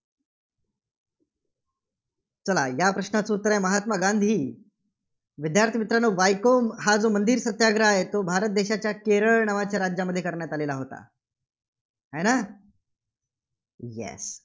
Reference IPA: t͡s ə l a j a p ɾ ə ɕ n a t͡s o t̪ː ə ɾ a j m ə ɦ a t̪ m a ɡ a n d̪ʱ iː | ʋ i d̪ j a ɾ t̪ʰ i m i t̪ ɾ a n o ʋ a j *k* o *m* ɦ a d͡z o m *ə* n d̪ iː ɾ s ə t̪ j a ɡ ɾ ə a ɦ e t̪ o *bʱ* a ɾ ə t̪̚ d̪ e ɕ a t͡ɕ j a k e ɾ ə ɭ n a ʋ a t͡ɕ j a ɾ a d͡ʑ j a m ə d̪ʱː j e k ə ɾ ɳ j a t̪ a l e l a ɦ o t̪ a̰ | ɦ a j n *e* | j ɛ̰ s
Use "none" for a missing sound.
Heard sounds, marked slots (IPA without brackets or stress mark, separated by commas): k, m, ə, bʱ, a